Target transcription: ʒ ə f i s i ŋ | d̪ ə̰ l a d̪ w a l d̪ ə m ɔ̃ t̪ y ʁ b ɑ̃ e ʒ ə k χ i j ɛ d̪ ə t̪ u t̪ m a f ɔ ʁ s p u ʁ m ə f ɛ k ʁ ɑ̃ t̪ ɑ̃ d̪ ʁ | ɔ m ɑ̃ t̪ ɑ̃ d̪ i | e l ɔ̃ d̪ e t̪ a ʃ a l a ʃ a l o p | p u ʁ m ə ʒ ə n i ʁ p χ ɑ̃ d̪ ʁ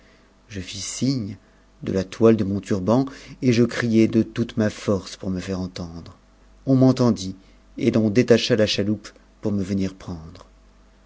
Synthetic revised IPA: ʒ ə f i s i ɲ | d̪ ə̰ l a t̪ w a l d̪ ə m ɔ̃ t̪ y ʁ b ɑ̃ e ʒ ə k χ i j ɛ d̪ ə t̪ u t̪ m a f ɔ ʁ s p u ʁ m ə f ɛ ʁ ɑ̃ t̪ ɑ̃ d̪ ʁ | ɔ̃ m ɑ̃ t̪ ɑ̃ d̪ i | e l ɔ̃ d̪ e t̪ a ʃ a l a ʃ a l u p | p u ʁ m ə v ə n i ʁ p χ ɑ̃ d̪ ʁ